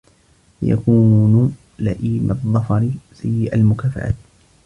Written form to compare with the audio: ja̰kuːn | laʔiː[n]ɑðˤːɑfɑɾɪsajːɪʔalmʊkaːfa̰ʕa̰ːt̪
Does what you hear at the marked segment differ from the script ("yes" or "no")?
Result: yes